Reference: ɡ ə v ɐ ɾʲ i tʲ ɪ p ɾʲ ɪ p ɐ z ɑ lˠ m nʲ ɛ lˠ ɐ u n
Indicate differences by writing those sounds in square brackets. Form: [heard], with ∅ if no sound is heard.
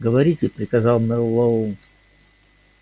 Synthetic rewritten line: ɡ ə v ɐ ɾʲ i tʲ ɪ p ɾʲ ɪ [k] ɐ z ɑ lˠ m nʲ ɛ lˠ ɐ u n